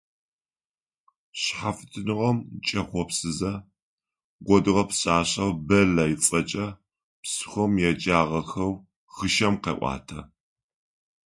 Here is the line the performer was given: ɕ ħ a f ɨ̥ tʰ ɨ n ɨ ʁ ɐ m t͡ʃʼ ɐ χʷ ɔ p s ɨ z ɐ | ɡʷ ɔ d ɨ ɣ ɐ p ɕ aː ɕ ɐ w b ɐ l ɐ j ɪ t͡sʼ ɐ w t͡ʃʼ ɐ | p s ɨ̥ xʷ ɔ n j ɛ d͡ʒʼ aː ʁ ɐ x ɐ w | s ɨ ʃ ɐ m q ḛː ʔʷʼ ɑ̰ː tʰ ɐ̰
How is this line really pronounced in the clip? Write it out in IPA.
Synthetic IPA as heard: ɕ ħ a f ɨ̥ tʰ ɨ n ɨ ʁ ɐ m t͡ʃʼ ɐ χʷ ɔ p s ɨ z ɐ | ɡʷ ɔ d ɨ ʁ ɐ p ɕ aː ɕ ɐ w b ɐ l ɐ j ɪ t͡sʼ ɐ t͡ʃʼ ɐ | p s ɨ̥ xʷ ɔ m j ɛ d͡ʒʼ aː ʁ ɐ x ɐ w | x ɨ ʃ ɐ m q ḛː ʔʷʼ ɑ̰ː tʰ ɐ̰